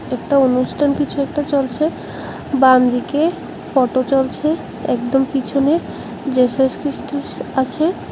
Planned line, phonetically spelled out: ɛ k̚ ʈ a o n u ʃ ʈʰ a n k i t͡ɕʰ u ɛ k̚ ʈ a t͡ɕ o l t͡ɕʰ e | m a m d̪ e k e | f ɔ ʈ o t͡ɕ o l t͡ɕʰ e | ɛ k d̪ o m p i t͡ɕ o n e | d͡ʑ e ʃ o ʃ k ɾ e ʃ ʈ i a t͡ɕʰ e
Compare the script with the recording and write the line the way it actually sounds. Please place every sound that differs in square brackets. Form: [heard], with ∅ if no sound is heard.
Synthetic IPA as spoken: ɛ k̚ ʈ a o n u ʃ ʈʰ a n k i t͡ɕʰ u ɛ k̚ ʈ a t͡ɕ o l t͡ɕʰ e | [b] a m d̪ [i] k e | f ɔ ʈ o t͡ɕ o l t͡ɕʰ e | ɛ k d̪ o m p i [t͡ɕʰ] o n e | d͡ʑ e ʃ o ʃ k ɾ [i] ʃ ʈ i a t͡ɕʰ e